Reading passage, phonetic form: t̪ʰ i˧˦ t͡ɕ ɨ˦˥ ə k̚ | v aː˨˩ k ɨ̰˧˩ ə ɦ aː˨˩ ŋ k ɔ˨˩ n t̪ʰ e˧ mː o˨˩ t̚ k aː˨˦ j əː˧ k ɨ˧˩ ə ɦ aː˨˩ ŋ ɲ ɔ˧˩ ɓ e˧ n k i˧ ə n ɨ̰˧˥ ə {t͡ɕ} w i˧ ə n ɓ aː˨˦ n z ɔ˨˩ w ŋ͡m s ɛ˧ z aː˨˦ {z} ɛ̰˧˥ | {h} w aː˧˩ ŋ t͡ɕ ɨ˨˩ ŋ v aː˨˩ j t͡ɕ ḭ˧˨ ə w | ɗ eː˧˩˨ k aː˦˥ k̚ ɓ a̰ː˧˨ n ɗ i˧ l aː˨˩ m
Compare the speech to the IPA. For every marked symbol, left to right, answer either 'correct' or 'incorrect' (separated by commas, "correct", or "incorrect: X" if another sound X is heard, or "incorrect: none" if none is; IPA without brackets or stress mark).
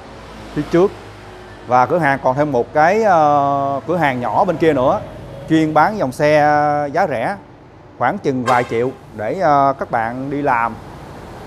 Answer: correct, correct, incorrect: x